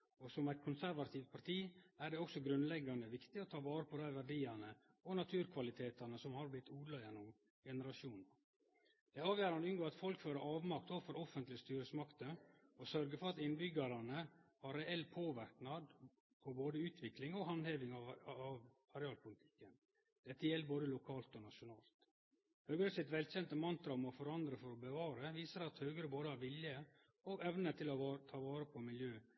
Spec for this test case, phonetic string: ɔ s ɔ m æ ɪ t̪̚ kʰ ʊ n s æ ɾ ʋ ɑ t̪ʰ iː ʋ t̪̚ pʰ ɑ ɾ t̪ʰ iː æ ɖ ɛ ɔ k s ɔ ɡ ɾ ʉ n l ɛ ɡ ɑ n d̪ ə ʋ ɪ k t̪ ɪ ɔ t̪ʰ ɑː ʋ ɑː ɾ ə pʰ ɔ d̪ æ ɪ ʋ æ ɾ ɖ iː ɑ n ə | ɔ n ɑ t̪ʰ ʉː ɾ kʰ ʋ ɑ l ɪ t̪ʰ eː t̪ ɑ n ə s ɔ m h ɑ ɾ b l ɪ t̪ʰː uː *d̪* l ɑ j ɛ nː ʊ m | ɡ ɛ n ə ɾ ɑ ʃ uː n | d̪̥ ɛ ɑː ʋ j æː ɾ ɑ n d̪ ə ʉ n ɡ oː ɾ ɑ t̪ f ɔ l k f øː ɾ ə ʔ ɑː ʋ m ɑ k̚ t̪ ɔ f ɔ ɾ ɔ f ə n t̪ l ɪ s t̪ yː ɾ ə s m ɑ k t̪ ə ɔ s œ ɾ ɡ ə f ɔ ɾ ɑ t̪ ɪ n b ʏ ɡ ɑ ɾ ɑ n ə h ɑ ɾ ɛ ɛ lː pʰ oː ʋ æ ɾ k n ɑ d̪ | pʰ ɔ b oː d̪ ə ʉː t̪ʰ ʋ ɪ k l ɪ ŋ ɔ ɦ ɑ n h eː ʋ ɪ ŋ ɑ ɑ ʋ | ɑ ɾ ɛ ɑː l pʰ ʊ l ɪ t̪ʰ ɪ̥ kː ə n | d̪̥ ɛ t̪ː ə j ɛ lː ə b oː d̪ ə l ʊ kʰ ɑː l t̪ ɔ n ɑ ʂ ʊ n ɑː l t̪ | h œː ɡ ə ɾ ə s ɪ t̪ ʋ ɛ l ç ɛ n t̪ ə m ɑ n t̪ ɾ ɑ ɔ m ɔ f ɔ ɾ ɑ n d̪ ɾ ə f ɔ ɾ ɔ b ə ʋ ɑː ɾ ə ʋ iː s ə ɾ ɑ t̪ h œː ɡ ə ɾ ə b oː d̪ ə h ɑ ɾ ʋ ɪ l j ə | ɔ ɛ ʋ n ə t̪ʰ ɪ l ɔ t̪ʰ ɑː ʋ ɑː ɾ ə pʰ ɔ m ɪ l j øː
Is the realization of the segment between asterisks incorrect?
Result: no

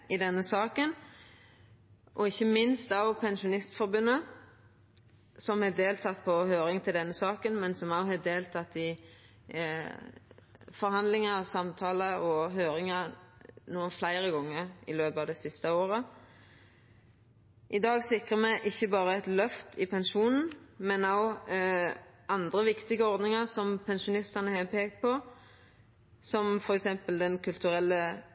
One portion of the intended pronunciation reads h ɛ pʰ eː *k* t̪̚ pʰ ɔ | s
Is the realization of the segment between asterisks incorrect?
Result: no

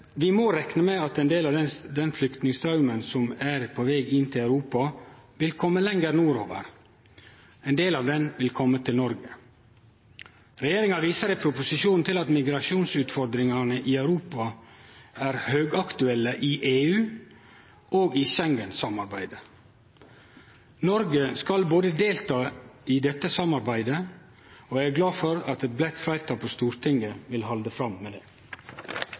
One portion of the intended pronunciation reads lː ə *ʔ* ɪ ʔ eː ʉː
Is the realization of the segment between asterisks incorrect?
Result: no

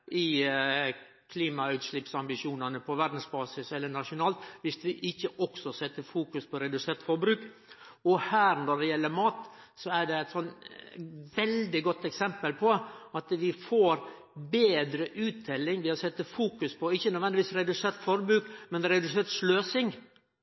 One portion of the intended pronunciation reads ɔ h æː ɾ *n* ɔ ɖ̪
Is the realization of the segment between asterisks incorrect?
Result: no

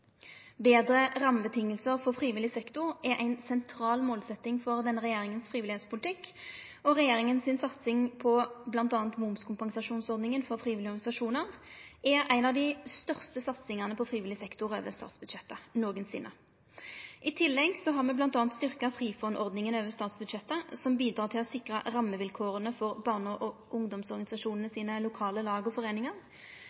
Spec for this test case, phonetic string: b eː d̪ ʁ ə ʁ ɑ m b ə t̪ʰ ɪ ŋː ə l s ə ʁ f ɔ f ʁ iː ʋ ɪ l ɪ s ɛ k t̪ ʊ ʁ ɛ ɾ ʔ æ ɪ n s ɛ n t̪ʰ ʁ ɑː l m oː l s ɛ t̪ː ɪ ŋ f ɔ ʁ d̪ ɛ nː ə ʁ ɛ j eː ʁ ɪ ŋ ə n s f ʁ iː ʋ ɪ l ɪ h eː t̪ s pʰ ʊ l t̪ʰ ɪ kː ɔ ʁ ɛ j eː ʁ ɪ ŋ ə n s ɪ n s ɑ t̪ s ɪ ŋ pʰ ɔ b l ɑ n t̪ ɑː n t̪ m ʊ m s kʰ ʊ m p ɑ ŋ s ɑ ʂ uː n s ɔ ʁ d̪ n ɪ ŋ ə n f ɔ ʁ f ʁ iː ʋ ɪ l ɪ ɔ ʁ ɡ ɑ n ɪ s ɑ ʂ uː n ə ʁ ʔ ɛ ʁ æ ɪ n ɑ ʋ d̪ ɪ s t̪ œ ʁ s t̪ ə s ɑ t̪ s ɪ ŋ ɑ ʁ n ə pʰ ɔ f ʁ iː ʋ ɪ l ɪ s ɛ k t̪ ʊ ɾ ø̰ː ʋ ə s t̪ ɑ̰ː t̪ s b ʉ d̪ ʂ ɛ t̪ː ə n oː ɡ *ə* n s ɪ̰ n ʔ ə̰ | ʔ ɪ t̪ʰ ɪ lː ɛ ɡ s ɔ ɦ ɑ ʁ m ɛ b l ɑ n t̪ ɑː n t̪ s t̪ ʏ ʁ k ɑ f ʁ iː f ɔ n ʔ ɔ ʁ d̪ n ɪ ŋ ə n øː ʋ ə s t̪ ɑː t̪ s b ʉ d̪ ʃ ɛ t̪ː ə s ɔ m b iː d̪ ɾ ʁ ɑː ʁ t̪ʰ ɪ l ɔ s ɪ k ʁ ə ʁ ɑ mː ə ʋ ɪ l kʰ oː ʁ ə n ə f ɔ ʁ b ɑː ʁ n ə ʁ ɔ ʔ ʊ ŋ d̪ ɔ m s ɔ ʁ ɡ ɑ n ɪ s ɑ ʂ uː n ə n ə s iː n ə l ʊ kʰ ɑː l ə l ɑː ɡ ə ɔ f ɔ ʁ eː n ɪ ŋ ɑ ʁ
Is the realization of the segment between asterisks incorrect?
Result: no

